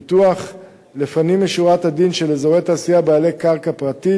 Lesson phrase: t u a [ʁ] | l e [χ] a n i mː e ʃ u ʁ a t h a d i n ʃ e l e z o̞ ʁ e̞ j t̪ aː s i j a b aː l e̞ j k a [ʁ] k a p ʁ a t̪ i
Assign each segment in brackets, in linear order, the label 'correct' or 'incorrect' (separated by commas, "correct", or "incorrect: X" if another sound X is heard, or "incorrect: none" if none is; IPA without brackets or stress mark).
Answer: incorrect: χ, incorrect: f, correct